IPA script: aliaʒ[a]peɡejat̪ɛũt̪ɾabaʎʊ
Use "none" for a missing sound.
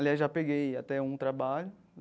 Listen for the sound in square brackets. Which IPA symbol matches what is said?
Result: a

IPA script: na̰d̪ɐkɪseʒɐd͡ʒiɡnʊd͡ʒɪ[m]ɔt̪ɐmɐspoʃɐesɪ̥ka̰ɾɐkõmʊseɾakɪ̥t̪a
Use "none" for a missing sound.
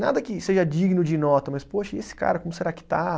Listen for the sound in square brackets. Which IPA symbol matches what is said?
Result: n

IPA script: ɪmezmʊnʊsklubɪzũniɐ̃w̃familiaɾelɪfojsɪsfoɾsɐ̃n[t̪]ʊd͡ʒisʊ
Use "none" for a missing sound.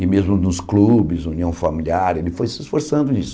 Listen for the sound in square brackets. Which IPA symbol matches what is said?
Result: d̪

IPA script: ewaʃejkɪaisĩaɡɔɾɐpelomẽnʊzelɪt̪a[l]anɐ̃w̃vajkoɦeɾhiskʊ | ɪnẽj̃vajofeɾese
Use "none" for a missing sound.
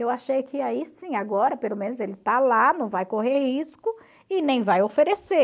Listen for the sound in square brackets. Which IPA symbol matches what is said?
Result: l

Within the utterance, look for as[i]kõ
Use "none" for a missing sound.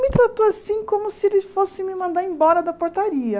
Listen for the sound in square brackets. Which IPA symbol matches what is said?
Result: ĩ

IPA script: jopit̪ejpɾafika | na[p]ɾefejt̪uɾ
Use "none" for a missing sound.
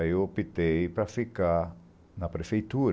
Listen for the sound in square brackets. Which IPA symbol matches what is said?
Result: p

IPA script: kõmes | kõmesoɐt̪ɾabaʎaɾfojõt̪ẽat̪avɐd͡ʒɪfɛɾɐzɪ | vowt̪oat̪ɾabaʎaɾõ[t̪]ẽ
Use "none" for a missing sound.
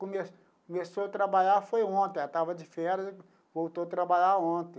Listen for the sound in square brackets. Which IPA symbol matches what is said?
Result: t̪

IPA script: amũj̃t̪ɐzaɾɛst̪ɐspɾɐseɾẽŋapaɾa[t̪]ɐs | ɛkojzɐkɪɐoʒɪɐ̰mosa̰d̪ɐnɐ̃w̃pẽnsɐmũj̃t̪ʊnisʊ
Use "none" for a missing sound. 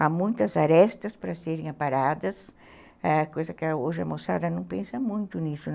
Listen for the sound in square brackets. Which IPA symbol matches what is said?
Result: d̪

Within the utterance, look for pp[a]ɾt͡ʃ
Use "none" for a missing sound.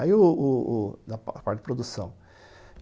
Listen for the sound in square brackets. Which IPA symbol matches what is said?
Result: a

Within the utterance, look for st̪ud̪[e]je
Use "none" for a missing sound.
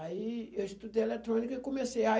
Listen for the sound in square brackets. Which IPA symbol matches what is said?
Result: e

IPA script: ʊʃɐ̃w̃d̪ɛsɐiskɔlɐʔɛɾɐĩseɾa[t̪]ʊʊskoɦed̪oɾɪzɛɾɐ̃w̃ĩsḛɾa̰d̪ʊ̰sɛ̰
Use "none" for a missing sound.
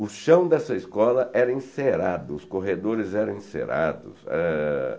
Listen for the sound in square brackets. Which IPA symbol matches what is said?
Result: d̪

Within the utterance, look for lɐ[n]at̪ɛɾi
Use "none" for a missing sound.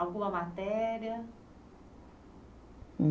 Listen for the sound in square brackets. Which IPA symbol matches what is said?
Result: m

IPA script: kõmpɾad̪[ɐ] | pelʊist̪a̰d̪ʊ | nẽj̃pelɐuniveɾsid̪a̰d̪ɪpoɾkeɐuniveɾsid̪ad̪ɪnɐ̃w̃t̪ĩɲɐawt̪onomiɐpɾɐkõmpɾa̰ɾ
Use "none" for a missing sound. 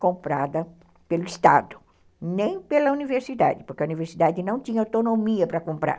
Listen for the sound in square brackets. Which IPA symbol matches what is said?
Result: ɐ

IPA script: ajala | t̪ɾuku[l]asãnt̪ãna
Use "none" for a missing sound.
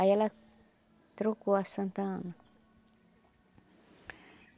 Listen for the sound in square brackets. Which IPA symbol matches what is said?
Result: none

